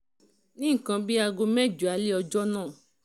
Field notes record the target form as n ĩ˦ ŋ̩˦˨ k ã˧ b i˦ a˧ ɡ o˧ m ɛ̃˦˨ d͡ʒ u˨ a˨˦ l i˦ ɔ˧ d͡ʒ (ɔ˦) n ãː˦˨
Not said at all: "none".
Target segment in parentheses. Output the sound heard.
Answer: ɔ˦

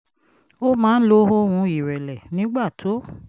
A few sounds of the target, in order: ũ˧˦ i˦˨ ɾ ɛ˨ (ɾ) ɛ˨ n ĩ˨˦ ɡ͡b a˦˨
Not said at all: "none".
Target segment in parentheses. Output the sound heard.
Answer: l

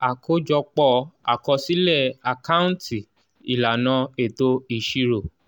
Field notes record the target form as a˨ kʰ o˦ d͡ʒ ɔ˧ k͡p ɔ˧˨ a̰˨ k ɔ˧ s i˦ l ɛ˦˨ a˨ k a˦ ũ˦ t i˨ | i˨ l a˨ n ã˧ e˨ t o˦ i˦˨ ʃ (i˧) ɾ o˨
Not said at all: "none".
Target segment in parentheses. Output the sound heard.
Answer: i˧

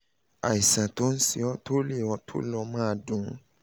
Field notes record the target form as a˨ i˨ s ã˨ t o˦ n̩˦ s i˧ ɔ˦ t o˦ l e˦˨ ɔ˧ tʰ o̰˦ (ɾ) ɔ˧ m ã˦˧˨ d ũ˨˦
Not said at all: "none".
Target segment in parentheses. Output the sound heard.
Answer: l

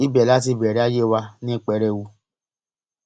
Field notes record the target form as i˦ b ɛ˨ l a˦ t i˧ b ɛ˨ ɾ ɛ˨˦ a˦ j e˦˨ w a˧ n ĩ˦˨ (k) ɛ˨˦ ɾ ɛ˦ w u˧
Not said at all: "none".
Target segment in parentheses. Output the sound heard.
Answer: k͡p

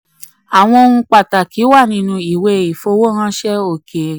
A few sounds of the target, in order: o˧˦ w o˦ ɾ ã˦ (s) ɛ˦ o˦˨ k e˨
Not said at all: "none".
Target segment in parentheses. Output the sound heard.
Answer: ʃ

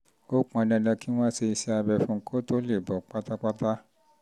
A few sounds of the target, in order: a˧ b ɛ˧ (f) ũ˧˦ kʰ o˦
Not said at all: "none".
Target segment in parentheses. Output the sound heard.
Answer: f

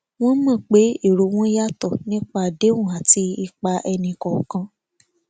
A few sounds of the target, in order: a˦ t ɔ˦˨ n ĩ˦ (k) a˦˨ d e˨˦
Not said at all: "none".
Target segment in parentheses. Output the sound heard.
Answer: k͡p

